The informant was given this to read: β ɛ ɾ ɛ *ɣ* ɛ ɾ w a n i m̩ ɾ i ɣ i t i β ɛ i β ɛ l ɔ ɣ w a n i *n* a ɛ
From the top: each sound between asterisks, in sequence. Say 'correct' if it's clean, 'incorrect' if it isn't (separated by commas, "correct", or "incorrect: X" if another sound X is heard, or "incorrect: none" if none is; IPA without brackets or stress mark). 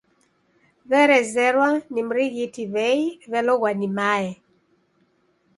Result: incorrect: z, incorrect: m